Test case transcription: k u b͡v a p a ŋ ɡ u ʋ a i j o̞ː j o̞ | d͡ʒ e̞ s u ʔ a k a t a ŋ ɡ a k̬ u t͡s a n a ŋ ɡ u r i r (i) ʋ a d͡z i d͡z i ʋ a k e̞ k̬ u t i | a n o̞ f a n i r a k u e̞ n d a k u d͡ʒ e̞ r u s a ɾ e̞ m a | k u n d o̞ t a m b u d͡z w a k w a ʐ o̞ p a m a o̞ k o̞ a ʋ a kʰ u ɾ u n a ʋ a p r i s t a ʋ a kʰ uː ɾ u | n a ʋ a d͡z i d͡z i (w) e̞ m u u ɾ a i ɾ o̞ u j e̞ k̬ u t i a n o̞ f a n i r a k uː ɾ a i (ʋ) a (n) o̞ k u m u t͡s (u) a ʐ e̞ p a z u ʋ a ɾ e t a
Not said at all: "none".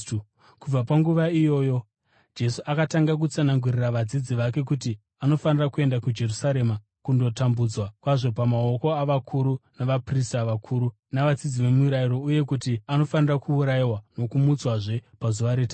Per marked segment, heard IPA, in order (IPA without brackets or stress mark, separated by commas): a, ʋ, w, n, w